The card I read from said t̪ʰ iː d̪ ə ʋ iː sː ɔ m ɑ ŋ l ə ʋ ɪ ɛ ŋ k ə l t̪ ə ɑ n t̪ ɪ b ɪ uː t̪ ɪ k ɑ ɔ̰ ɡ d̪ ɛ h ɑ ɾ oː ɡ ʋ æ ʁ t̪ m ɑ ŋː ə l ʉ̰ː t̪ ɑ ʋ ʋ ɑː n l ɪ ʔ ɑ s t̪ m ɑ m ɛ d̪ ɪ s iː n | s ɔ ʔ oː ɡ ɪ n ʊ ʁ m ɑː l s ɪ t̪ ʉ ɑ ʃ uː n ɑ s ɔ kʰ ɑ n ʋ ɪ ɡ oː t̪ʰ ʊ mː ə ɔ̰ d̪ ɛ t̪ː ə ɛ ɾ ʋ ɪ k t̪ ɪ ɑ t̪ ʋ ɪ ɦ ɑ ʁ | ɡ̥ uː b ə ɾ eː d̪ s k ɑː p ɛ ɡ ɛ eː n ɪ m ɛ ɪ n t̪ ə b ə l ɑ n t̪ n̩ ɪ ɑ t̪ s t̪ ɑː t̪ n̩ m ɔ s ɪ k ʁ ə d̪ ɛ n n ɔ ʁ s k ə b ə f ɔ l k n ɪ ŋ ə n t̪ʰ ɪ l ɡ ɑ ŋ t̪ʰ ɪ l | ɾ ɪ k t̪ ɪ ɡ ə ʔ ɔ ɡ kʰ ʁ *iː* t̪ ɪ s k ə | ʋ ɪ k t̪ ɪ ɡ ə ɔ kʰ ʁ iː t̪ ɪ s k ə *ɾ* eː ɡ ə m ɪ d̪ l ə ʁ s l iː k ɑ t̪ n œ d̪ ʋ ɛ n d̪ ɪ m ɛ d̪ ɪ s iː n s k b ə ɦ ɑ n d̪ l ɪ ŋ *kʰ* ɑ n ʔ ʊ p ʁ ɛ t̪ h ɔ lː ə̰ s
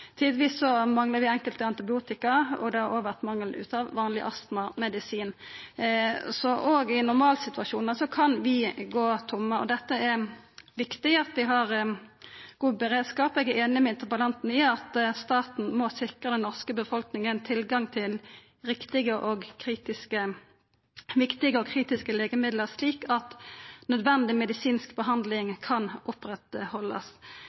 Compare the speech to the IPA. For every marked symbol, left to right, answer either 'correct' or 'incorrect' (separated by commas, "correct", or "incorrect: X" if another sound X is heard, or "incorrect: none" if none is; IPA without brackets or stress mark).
correct, incorrect: l, correct